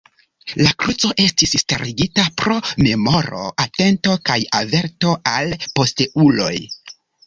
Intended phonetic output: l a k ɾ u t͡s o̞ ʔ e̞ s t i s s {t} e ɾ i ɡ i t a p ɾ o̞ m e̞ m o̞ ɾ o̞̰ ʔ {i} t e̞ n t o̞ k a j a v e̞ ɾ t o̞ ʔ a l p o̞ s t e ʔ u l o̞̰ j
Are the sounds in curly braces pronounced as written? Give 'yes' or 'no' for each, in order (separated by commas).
yes, no